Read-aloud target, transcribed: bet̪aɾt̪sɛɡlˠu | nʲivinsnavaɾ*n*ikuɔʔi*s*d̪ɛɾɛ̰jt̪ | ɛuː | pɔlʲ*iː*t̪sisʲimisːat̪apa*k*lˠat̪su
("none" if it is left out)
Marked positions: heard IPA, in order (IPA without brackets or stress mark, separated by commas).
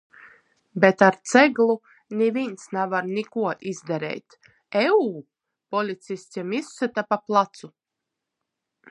n, z, i, p